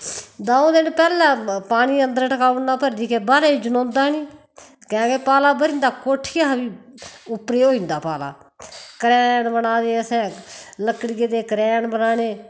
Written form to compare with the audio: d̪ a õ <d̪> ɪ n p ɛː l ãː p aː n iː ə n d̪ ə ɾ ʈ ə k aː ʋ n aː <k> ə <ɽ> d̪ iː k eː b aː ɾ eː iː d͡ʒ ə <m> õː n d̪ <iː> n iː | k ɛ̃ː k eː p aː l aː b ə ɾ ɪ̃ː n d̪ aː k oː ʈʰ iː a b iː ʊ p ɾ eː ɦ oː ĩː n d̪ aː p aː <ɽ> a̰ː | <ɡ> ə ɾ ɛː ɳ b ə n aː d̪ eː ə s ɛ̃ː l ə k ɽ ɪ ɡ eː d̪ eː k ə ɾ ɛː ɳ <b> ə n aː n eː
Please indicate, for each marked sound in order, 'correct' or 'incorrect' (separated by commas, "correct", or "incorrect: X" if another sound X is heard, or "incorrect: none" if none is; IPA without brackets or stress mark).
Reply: correct, incorrect: p, incorrect: ɾ, incorrect: n, incorrect: aː, incorrect: l, incorrect: k, correct